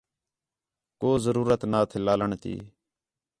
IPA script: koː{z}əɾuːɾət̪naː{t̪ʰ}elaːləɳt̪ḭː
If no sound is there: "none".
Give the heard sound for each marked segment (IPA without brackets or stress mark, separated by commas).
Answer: z, t̪ʰ